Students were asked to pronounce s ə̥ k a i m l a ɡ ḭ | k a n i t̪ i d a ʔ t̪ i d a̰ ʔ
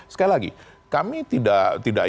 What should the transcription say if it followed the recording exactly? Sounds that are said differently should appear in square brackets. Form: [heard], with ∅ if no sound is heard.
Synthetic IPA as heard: s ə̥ k a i [∅] l a ɡ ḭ | k a [m] i t̪ i d a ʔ t̪ i d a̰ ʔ